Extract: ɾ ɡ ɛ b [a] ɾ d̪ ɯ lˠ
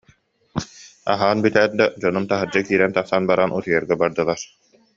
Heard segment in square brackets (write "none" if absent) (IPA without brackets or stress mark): a